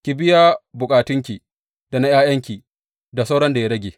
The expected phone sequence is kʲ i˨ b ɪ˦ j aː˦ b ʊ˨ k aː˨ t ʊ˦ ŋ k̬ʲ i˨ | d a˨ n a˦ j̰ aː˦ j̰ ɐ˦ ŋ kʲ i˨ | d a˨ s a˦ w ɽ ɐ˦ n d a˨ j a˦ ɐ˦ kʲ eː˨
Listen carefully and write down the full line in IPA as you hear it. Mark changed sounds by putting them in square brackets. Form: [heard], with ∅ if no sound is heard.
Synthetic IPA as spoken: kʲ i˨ b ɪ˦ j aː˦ b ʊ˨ [kʼ] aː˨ t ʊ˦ ŋ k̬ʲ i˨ | d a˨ n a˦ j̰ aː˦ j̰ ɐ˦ ŋ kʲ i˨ | d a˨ s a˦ w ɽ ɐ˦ n d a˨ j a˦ ɐ˦ [ɡʲ] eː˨